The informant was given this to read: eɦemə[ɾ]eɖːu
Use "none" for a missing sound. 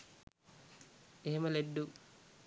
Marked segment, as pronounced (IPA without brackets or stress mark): l